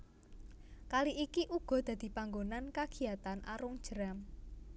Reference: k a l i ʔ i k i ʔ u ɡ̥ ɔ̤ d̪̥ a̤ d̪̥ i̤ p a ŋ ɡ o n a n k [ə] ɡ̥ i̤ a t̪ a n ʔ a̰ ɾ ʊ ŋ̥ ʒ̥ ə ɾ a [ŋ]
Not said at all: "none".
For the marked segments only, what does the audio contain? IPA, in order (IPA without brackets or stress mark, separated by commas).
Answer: a, m